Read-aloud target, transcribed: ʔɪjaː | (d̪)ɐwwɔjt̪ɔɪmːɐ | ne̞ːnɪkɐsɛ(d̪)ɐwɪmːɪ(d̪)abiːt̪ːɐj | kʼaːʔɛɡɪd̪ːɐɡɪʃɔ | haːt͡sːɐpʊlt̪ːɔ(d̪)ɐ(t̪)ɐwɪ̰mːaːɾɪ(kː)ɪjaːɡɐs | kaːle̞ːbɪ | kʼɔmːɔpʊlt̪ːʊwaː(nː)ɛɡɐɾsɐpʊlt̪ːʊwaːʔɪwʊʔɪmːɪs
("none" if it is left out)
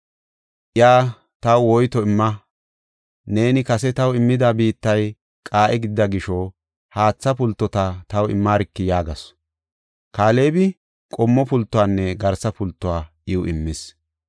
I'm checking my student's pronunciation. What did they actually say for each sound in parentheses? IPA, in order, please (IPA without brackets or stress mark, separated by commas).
t̪, t̪, d̪, t̪, t̪, kː, nː